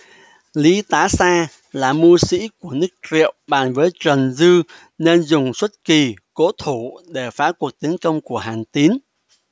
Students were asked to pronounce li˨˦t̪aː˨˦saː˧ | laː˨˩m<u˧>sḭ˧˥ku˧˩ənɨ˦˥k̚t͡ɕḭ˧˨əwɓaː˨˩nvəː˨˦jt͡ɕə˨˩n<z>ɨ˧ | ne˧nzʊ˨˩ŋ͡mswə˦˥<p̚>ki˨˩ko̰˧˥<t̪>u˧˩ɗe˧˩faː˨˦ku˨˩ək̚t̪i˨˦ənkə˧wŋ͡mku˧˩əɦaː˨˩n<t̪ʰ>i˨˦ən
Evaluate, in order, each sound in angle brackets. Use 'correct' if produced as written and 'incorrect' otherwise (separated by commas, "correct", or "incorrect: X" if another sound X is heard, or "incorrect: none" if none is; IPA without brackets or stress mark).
correct, correct, incorrect: t̚, incorrect: t̪ʰ, incorrect: t̪